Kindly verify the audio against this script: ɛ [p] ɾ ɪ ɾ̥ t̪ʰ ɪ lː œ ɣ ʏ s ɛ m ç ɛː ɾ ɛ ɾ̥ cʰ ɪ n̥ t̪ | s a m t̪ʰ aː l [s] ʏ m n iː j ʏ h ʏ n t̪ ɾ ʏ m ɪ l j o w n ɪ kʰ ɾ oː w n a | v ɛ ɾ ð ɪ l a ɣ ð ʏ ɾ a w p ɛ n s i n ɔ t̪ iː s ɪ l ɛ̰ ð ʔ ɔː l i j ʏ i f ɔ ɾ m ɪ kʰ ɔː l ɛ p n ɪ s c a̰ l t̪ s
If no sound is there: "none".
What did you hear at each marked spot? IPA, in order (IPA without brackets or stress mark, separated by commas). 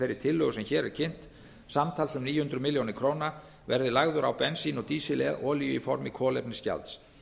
none, s